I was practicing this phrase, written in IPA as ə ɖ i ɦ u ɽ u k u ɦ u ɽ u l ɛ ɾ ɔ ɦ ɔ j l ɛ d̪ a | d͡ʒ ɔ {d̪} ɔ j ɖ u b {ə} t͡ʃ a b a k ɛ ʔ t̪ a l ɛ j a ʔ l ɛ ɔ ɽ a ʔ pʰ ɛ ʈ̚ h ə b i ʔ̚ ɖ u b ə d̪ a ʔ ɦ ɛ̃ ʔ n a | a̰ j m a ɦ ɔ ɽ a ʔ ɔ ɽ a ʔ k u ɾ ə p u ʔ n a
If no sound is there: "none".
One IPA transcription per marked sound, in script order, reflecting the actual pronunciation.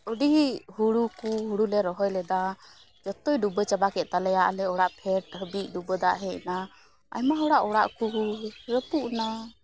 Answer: t̪, ə

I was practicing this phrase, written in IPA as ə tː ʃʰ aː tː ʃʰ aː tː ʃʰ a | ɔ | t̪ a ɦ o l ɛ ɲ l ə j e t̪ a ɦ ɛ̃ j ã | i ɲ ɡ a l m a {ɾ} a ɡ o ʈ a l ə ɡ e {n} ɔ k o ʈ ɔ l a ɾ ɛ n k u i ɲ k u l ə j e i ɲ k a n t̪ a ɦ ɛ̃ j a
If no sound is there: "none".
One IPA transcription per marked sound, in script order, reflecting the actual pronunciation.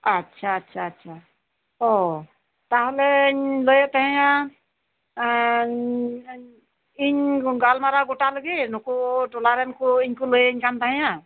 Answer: ɾ, n

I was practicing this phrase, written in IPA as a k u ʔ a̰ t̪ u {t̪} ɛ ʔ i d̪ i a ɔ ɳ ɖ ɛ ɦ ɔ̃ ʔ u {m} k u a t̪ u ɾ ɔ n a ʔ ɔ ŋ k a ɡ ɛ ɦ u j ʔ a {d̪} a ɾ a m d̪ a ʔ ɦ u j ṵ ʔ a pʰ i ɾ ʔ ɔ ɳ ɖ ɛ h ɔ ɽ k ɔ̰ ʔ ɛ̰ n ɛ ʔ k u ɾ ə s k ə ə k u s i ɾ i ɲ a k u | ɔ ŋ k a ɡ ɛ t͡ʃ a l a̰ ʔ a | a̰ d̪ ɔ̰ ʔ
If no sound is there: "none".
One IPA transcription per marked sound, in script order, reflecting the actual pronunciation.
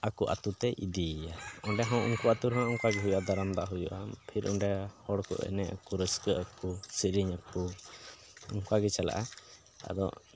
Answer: t̪, ŋ, d̪

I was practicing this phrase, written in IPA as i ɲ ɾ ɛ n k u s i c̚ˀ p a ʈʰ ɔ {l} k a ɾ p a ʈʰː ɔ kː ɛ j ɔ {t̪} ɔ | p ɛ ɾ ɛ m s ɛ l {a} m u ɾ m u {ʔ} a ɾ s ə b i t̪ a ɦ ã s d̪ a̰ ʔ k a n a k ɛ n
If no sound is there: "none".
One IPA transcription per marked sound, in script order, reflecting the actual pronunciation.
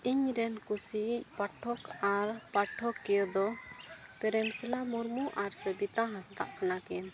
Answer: none, d̪, a, ʔ

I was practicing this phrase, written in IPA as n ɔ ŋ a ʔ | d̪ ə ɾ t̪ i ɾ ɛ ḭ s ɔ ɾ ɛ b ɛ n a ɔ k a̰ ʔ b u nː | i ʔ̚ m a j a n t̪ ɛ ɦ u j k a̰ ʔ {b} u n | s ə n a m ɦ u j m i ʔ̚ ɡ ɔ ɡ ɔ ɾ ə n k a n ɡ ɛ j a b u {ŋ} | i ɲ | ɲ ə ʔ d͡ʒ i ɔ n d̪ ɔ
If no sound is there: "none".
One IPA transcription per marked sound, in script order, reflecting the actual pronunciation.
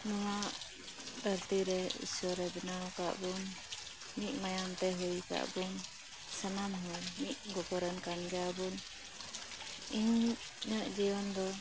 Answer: b, n

